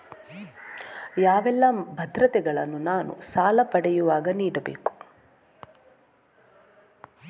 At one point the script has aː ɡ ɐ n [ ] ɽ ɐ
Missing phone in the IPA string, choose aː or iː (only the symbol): iː